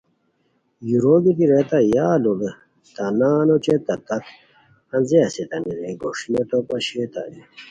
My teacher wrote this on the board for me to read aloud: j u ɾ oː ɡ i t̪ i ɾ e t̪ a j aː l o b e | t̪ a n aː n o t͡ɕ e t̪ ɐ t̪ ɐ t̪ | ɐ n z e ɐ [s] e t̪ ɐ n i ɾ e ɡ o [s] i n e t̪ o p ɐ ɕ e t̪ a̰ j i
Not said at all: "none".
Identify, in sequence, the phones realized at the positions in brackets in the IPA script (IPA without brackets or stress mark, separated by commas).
s, ʂ